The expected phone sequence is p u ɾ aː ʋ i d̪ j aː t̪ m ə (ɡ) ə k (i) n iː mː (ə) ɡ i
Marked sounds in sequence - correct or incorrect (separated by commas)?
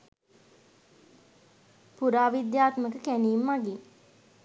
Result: incorrect, incorrect, incorrect